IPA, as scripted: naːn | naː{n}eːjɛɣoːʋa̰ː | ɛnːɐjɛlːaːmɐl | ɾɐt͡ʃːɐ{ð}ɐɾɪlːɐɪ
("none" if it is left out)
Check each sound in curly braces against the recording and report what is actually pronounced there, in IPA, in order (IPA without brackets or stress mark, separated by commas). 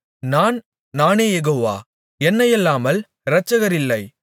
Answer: n, ɣ